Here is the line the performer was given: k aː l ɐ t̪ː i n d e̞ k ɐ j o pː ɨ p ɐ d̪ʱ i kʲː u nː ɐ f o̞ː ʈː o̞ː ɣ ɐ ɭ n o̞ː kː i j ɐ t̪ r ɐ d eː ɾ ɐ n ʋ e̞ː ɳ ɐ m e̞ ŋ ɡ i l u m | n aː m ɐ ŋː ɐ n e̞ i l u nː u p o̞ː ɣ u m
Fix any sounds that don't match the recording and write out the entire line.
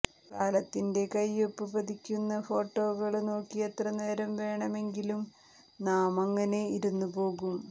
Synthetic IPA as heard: k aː l ɐ t̪ː i n d e̞ k ɐ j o pː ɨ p ɐ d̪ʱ i kʲː u nː ɐ f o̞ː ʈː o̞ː ɣ ɐ ɭ n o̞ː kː i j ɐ t̪ r ɐ n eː ɾ ɐ m ʋ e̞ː ɳ ɐ m e̞ ŋ ɡ i l u m | n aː m ɐ ŋː ɐ n e̞ i ɾ u nː u p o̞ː ɣ u m